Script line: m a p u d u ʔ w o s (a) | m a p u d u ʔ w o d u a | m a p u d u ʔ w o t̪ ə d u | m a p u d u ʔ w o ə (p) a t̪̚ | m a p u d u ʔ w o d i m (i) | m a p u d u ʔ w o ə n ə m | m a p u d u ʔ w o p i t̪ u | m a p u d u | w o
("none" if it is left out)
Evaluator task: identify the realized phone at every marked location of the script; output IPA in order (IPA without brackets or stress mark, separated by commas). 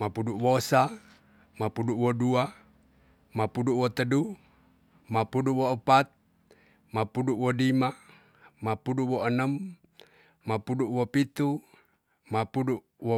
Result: a, p, a